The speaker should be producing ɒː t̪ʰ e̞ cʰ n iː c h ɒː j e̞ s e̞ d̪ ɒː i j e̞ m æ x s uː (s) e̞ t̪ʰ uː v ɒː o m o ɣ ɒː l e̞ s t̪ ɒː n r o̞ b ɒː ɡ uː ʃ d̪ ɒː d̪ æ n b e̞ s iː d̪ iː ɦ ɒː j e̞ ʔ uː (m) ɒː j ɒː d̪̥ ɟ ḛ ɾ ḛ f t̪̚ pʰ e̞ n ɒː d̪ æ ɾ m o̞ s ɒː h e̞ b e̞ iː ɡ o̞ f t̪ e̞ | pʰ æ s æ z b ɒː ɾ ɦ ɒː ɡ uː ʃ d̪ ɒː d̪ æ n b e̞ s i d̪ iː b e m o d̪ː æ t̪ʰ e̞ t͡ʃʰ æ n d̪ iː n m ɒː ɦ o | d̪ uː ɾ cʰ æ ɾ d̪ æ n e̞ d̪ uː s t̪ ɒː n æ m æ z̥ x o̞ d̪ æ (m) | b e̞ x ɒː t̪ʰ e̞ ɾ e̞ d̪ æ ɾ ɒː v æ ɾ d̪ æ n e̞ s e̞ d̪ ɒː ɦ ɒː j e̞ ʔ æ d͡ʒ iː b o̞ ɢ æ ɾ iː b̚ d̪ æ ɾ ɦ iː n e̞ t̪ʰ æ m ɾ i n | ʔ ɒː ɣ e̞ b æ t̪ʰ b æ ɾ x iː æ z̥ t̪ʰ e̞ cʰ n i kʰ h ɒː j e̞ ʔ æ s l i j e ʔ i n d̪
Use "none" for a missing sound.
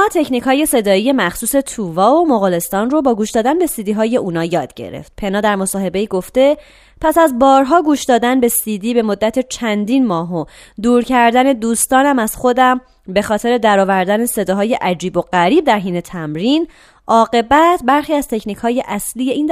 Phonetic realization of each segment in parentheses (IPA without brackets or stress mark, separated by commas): s, n, m